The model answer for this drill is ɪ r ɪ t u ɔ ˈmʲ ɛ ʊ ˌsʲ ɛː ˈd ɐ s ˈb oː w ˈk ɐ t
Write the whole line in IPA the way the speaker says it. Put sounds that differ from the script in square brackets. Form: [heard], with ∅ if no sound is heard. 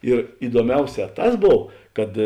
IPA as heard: ɪ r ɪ [d] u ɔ ˈmʲ ɛ ʊ ˌsʲ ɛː [ˈt] ɐ s ˈb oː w ˈk ɐ t